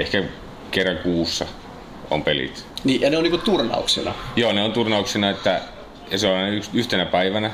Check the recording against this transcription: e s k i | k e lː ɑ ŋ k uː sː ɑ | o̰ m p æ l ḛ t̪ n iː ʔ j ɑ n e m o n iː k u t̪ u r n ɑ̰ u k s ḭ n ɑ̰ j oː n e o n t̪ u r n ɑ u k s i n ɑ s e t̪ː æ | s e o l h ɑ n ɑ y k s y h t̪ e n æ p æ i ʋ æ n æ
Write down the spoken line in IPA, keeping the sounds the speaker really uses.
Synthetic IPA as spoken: e h k æ | k e rː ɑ ŋ k uː sː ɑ | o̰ m p e l ḭ t̪ n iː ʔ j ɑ n e o n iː k u t̪ u r n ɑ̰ u k s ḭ n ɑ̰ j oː n e o n t̪ u r n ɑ u k s i n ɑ e t̪ː æ | s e o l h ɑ n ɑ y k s y h t̪ e n æ p æ i ʋ æ n æ